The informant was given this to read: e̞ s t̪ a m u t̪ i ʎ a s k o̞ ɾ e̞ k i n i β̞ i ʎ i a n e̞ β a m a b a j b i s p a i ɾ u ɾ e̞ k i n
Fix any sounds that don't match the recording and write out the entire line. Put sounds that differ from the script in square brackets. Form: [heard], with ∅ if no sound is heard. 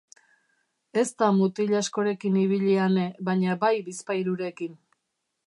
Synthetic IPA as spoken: e̞ s t̪ a m u t̪ i ʎ a s k o̞ ɾ e̞ k i n i β̞ i ʎ i a n e̞ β a [ɲ] a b a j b i s p a [j] ɾ u ɾ e̞ k i n